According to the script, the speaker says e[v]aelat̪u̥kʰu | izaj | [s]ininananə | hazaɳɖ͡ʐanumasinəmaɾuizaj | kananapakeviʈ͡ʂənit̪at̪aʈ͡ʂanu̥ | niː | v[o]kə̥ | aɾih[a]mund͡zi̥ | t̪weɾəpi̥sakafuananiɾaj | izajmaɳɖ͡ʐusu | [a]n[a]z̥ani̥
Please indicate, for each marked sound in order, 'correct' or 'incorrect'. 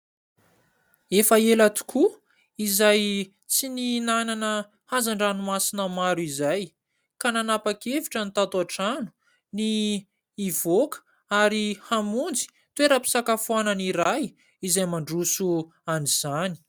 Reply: incorrect: f, incorrect: t͡s, correct, correct, correct, incorrect: i

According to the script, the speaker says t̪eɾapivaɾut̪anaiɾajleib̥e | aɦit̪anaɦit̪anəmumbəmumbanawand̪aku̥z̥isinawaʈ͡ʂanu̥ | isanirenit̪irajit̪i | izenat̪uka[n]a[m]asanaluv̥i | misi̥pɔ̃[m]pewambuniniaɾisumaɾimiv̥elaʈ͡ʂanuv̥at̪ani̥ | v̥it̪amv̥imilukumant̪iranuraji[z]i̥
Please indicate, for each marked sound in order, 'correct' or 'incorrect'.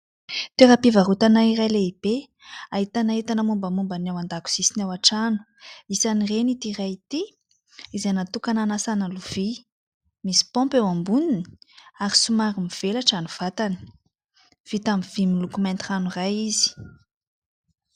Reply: correct, incorrect: n, correct, correct

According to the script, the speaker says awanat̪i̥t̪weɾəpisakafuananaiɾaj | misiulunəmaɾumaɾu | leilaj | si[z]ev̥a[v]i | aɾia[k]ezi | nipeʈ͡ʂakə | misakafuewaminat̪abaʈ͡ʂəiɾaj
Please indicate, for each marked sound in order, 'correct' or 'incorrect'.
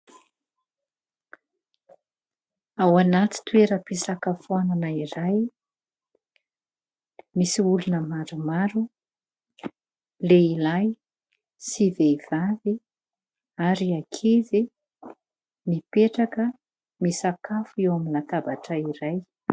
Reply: incorrect: v, correct, incorrect: kʰ

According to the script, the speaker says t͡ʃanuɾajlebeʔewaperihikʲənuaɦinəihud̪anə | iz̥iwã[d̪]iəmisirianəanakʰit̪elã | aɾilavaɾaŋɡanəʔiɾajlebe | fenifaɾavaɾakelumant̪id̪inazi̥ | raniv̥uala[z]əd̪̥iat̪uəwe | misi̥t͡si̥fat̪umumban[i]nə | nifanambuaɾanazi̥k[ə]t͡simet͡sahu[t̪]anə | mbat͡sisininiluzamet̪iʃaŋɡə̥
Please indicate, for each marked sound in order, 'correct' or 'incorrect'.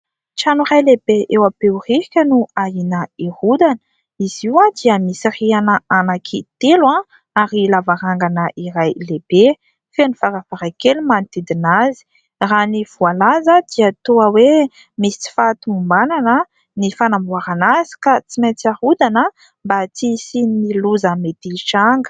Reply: correct, correct, incorrect: a, incorrect: a, incorrect: d̪

